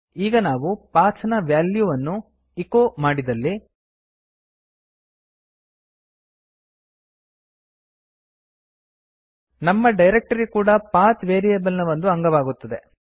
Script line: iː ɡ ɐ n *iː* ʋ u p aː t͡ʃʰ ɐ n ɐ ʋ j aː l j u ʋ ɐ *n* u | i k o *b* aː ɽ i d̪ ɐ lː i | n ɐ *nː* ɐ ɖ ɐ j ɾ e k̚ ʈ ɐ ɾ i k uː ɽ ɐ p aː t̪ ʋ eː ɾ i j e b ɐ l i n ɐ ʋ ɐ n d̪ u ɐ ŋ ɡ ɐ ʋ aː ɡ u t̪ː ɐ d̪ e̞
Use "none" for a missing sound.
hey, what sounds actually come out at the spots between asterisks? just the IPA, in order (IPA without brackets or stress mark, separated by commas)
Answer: aː, nː, m, mː